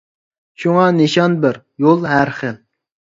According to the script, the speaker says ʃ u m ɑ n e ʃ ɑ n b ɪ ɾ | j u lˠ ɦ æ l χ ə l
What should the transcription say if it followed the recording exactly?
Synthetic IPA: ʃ u ŋ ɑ n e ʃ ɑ n b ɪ ɾ | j o lˠ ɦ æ ɾ χ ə l